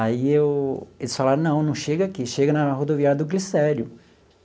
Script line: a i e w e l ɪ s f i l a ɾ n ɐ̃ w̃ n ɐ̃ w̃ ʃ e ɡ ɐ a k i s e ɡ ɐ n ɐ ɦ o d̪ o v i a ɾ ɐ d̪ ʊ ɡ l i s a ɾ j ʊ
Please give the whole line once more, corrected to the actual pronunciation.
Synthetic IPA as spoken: a i e w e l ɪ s f a l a ɾ n ɐ̃ w̃ n ɐ̃ w̃ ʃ e ɡ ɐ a k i ʃ e ɡ ɐ n ɐ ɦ o d̪ o v i a ɾ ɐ d̪ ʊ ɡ l i s ɛ ɾ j ʊ